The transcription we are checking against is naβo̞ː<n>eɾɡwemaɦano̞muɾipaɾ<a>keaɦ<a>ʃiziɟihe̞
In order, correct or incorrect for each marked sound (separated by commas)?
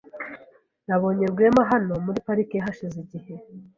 incorrect, incorrect, correct